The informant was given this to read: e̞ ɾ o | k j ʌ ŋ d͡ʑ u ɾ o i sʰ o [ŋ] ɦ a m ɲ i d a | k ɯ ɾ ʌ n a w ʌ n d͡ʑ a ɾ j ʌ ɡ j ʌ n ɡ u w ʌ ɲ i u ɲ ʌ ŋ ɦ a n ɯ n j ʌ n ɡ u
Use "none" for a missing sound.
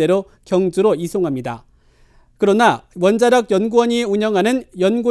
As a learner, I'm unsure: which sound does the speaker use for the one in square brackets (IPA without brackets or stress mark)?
ŋ